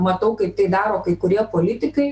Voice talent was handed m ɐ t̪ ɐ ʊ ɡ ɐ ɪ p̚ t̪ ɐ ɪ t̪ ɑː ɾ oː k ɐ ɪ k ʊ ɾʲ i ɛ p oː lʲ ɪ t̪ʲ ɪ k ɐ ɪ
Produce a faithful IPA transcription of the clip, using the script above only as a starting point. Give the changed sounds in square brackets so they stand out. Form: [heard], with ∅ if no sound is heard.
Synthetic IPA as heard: m ɐ t̪ ɐ ʊ [k] ɐ ɪ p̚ t̪ ɐ ɪ [d̪] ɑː ɾ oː k ɐ ɪ k ʊ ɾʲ i ɛ p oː lʲ ɪ t̪ʲ ɪ k ɐ ɪ